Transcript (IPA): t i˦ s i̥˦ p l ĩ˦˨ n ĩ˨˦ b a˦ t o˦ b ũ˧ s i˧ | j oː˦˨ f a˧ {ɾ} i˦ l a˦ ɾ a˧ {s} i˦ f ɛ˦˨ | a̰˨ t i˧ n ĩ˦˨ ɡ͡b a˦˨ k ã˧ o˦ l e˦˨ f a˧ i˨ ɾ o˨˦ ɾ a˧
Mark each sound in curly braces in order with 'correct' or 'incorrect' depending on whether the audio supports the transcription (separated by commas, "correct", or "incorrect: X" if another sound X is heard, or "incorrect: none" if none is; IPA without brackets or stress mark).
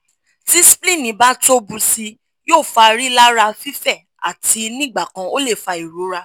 correct, incorrect: f